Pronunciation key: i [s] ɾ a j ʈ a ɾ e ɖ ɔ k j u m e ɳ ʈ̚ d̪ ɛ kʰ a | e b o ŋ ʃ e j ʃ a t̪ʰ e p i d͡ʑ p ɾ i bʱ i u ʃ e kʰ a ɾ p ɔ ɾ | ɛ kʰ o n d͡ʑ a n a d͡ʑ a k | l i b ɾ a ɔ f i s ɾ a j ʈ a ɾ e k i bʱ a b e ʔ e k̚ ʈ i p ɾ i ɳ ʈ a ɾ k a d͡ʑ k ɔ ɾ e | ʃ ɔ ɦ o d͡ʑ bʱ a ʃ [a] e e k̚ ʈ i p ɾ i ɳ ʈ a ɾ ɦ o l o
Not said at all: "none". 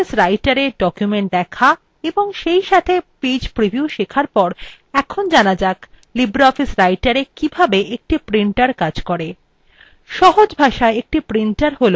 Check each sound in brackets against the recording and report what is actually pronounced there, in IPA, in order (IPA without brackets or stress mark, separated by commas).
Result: s, a